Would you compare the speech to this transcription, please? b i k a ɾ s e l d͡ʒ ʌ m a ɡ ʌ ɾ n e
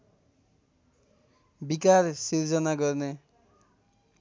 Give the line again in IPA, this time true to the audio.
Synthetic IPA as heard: b i k a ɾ s i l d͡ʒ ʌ n a ɡ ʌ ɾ n e